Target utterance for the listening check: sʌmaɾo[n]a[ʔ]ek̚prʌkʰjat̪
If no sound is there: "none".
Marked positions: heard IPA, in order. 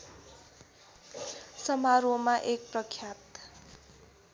m, ʔ

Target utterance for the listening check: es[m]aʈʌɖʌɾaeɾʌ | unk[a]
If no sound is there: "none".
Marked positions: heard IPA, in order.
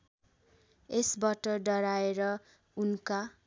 b, a

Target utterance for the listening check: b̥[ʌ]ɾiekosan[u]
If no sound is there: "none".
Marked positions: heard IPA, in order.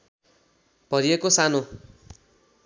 ʌ, o

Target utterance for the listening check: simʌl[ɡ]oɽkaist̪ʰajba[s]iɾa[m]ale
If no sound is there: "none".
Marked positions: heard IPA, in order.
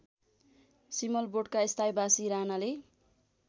b, s, n

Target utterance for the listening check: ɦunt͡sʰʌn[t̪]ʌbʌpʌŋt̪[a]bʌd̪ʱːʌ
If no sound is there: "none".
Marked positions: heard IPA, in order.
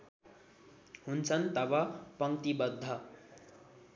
t̪, i

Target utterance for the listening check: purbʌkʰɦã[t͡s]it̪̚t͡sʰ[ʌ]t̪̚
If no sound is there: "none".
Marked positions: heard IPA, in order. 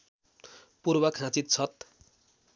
t͡s, ʌ

